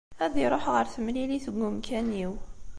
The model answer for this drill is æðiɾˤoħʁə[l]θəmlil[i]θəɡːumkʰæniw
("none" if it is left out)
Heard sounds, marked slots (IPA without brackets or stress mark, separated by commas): ɾ, i